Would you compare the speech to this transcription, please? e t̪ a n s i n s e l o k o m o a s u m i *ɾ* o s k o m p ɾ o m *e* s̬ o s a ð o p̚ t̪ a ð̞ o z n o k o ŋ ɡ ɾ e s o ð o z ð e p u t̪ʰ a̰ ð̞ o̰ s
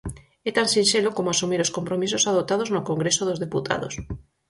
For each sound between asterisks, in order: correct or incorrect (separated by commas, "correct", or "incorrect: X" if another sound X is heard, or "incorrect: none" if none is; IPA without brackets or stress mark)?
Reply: correct, incorrect: i